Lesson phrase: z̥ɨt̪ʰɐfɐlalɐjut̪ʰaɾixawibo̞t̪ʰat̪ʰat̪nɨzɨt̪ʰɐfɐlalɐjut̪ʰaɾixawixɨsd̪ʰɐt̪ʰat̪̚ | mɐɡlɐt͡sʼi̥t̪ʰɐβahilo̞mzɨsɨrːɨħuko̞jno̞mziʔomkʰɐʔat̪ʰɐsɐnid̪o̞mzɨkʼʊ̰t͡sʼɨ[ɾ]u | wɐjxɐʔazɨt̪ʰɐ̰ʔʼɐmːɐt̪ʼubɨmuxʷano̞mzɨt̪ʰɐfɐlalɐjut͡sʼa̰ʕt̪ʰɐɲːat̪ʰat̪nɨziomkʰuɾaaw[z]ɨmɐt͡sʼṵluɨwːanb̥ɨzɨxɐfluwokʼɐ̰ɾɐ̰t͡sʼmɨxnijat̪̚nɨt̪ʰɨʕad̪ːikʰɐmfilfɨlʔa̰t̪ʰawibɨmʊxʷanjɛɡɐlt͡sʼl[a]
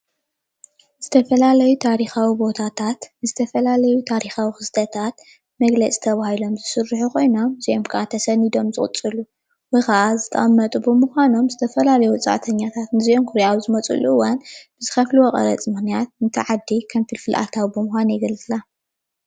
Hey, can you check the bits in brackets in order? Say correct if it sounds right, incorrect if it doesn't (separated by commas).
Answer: incorrect, correct, correct